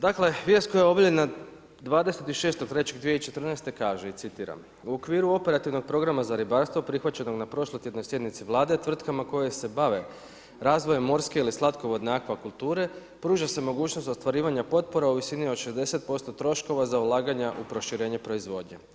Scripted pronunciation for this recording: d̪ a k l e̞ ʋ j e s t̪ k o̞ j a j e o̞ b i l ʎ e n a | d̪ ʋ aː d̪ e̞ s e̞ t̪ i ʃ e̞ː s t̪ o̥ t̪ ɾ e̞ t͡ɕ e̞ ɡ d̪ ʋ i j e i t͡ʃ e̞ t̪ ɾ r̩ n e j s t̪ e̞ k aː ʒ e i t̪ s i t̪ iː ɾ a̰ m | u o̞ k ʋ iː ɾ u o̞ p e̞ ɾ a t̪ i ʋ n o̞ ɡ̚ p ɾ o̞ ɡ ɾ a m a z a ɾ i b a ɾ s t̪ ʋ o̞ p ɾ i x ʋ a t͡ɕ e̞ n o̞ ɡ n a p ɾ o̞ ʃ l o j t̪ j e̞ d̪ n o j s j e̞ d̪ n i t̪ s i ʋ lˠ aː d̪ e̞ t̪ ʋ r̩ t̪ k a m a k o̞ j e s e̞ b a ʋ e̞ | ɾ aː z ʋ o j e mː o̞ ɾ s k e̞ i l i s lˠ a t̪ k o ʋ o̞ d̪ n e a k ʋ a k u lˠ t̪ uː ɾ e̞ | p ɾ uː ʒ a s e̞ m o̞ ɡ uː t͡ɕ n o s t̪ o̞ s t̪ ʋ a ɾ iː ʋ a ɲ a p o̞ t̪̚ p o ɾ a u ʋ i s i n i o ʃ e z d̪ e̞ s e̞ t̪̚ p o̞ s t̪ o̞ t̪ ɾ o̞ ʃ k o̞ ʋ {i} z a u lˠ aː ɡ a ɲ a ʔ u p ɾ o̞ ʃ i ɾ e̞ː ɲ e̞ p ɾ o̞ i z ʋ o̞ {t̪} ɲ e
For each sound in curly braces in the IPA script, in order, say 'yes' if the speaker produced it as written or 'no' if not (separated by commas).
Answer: no, no